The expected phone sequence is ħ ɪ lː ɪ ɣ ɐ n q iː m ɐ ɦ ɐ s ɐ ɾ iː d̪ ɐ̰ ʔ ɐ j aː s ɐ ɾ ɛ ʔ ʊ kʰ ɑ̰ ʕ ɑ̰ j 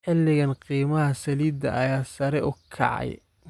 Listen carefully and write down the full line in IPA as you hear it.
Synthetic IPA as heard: ħ ɪ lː ɪ ɣ ɐ n q iː m ɐ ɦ ɐ s ɐ l iː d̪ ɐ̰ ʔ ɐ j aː s ɐ ɾ ɛ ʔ ʊ kʰ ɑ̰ ʕ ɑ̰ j